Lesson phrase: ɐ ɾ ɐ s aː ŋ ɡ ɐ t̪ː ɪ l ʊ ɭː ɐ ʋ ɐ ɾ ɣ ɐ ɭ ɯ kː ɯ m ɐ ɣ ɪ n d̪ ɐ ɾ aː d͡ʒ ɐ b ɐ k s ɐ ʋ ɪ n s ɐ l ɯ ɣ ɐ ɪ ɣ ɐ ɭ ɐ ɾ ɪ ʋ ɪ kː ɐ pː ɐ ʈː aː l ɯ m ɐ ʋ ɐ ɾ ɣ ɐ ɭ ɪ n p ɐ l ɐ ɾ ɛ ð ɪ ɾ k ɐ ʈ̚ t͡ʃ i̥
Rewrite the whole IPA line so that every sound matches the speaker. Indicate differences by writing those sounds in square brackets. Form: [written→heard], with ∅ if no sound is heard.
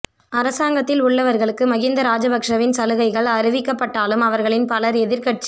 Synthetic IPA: ɐ ɾ ɐ s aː ŋ ɡ ɐ t̪ː ɪ l ʊ ɭː ɐ ʋ ɐ ɾ ɣ ɐ ɭ ɯ kː ɯ m ɐ ɣ ɪ n d̪ ɐ ɾ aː d͡ʒ ɐ b ɐ k [s→ʂ] ɐ ʋ ɪ n s ɐ l ɯ ɣ ɐ ɪ ɣ ɐ ɭ ɐ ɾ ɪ ʋ ɪ kː ɐ pː ɐ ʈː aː l ɯ m ɐ ʋ ɐ ɾ ɣ ɐ ɭ ɪ n p ɐ l ɐ ɾ ɛ ð ɪ ɾ k ɐ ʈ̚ t͡ʃ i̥